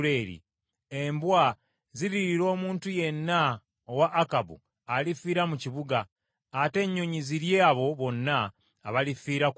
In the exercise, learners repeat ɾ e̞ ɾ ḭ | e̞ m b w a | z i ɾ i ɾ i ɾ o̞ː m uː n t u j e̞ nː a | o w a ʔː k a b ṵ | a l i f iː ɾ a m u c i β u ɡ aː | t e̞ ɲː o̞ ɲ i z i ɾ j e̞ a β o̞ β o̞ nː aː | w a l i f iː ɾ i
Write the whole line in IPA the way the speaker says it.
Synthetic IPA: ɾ e̞ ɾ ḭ | e̞ m b w a | z i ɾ i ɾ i ɾ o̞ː m uː n t u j e̞ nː a | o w a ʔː k a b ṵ | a l i f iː ɾ a m u c i β u ɡ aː | t e̞ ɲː o̞ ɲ i z i ɾ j e̞ a β o̞ β o̞ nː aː | β a l i f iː ɾ a